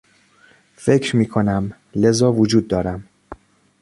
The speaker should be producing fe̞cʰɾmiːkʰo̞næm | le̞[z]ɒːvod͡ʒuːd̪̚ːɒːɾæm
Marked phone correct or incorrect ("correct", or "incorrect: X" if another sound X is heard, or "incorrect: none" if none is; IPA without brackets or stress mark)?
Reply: correct